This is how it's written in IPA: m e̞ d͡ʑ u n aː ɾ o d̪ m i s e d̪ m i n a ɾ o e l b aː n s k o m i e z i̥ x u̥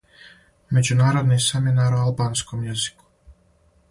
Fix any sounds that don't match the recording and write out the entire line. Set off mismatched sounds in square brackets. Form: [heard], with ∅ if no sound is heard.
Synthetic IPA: m e̞ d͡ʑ u n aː ɾ o d̪ [n] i s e [∅] m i n a ɾ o [a] l b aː n s k o m [j] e z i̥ [k] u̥